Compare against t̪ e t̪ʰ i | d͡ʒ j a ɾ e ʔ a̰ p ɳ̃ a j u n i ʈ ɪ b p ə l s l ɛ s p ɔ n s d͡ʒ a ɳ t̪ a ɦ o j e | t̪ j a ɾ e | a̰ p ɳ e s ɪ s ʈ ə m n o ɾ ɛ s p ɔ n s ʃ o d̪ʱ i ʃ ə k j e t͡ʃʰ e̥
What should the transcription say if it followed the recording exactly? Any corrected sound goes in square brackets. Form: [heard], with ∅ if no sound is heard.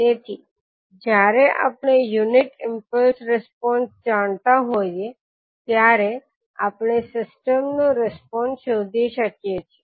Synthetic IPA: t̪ e t̪ʰ i | d͡ʒ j a ɾ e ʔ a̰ p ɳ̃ [e] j u n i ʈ ɪ [m] p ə l s [ɾ] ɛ s p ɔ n s d͡ʒ a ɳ t̪ a ɦ o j e | t̪ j a ɾ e | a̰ p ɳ e s ɪ s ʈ ə m n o ɾ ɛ s p ɔ n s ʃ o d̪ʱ i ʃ ə k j e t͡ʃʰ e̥